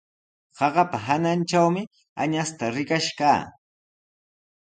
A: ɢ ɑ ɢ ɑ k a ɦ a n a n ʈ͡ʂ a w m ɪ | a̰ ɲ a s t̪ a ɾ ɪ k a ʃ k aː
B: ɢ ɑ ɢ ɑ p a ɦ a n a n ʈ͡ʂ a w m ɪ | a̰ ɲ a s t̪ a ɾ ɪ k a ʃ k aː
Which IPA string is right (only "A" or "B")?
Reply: B